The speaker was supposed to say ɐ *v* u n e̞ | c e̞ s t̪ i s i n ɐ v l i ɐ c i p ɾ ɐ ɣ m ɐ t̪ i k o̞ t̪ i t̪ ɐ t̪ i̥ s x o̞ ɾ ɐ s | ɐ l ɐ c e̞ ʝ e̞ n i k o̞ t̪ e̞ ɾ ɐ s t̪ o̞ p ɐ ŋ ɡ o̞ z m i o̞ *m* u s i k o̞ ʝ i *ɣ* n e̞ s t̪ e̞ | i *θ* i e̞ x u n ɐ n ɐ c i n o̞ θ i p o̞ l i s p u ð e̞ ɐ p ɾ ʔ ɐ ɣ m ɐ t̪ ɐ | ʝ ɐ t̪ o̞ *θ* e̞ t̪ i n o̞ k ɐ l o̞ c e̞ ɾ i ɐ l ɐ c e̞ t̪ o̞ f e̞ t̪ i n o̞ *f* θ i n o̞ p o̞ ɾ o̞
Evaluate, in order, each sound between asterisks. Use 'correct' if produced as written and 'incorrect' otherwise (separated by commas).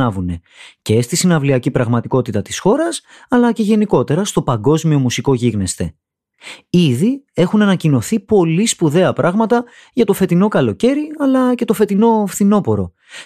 correct, correct, correct, incorrect, incorrect, correct